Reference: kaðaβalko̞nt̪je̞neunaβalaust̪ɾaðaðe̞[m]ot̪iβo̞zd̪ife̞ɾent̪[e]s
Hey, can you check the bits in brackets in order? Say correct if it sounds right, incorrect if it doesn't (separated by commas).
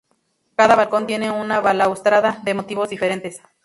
correct, correct